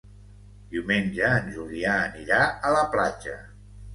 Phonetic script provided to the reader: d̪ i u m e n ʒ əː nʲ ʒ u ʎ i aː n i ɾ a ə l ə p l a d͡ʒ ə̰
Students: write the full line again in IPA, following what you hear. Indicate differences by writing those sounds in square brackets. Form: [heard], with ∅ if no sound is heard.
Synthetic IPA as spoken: d̪ i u m e n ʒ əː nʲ ʒ u [l] i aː n i ɾ a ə l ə p l a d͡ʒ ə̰

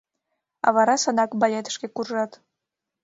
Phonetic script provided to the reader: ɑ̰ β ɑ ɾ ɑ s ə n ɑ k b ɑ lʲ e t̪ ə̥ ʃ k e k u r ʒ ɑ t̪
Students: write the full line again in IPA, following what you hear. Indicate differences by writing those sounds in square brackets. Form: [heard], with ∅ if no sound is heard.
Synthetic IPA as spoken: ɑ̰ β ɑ ɾ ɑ s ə n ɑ k b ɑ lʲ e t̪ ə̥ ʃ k e k u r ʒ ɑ t̪

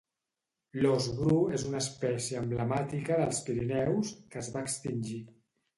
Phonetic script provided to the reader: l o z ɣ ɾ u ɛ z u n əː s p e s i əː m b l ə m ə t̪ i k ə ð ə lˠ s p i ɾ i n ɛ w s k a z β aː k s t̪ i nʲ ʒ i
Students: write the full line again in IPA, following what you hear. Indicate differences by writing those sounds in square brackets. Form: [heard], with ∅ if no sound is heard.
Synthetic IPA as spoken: l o z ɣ ɾ u [e] z u n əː s p [ɛ] s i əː m b l ə m [a] t̪ i k ə ð ə lˠ s p i ɾ i n ɛ w s k [ə] z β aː k s t̪ i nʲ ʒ i

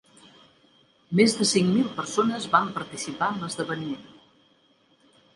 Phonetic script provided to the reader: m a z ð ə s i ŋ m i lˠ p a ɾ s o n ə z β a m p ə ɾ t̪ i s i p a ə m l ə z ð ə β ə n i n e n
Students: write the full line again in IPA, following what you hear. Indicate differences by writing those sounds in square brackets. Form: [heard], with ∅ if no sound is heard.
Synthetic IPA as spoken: m [e] z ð ə s i ŋ m i lˠ p [ə] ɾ s o n ə z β a m p ə ɾ t̪ i s i p a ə m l ə z ð ə β ə n i [m] e n

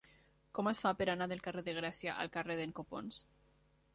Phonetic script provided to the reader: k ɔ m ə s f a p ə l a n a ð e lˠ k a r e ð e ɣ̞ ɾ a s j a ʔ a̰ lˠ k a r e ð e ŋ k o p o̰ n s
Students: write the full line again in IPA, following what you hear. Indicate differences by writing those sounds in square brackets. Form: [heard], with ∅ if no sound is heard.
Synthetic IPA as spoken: k ɔ m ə s f a p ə [ɾ] a n a ð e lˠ k a r e ð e ɣ̞ ɾ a s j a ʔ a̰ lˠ k a r e ð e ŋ k o p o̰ n s

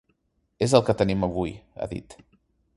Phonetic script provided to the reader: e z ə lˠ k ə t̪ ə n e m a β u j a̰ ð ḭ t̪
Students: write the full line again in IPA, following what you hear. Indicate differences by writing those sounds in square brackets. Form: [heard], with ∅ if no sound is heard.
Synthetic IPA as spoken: e z ə lˠ k ə t̪ ə n [i] m [ə] β u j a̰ ð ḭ t̪

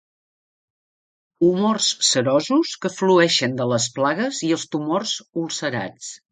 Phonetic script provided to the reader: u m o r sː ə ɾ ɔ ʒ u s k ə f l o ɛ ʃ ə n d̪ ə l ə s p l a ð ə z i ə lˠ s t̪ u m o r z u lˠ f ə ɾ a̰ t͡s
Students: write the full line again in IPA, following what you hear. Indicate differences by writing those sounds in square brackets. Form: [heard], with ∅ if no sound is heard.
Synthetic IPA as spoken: u m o r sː ə ɾ ɔ [z] u s k ə f l [u] ɛ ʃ ə n d̪ ə l ə s p l a [ɣ] ə z i ə lˠ s t̪ u m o r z u lˠ [s] ə ɾ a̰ t͡s

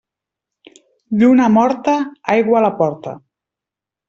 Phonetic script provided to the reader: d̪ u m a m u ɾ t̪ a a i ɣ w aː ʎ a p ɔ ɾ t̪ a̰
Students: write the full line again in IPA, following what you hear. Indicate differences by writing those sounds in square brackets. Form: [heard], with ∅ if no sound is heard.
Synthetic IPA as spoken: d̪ u [n] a m [ɔ] ɾ t̪ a a [j] ɣ w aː [l] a p ɔ ɾ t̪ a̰

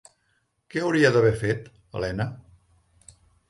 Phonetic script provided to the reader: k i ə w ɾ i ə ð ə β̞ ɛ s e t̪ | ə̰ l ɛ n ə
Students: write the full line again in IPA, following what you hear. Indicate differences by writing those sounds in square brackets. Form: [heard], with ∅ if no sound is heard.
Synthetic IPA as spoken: k [ɛ] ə w ɾ i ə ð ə β̞ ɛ [f] e t̪ | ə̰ l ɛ n ə

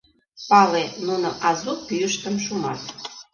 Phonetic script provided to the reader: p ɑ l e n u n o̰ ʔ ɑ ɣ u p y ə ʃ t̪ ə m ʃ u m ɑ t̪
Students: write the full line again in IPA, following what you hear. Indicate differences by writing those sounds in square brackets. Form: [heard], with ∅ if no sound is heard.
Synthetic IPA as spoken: p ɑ l e n u n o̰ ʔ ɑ [z] u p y ə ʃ t̪ ə m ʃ u m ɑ t̪

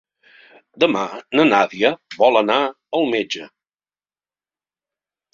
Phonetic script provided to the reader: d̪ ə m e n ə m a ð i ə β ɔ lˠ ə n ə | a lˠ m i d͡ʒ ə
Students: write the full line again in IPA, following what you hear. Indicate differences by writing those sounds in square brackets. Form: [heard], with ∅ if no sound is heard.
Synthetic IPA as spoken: d̪ ə m [a] n ə [n] a ð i ə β ɔ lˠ ə n [a] | [ə] lˠ m [e] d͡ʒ ə

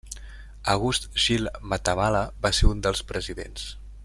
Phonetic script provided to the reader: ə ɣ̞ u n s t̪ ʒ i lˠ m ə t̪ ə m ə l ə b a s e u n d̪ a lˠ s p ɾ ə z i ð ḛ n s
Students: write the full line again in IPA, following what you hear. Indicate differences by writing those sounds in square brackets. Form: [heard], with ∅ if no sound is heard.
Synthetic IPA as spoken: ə ɣ̞ u [∅] s t̪ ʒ i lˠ m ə t̪ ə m [a] l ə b a s e u n d̪ [ə] lˠ s p ɾ ə z i ð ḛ n s

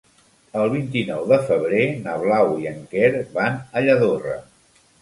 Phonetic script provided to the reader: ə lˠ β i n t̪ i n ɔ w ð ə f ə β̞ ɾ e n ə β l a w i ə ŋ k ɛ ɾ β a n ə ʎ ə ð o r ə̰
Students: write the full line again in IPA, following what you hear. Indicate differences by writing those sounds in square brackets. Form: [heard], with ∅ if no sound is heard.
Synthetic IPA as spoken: ə lˠ β i n t̪ i n ɔ w ð ə f ə β̞ ɾ e n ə β l a w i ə ŋ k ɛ ɾ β a n ə ʎ ə ð o r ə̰

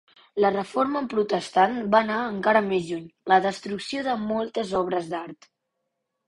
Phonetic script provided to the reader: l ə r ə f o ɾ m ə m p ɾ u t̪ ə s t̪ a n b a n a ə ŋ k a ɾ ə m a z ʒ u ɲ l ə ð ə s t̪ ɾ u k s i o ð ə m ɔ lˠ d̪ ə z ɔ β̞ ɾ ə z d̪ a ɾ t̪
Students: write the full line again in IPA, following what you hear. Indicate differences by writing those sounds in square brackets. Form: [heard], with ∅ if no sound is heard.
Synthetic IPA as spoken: l ə r ə f o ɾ m ə m p ɾ u t̪ ə s t̪ a n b a n a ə ŋ k a ɾ ə m [e] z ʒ u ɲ l ə ð ə s t̪ ɾ u k s i o ð ə m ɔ lˠ [t̪] ə z ɔ β̞ ɾ ə z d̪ a ɾ t̪

